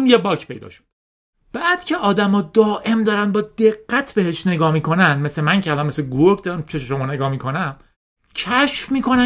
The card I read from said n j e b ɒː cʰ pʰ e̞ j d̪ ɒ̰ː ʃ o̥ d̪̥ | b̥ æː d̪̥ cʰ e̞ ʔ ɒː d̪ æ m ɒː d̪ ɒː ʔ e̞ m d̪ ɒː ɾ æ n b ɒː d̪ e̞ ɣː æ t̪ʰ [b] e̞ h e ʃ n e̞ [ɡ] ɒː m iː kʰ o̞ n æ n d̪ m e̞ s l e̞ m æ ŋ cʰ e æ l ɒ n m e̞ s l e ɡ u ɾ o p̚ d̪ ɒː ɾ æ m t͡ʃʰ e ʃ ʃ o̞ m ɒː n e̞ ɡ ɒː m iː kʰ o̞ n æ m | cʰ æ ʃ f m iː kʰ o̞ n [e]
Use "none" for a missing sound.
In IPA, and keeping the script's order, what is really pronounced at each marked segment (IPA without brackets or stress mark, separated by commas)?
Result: b, ɡ, æ